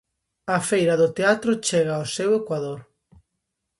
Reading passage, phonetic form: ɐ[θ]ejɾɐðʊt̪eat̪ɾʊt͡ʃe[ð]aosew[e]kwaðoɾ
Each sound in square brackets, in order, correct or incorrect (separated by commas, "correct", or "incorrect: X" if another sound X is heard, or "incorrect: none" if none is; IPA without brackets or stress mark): incorrect: f, incorrect: ɣ, correct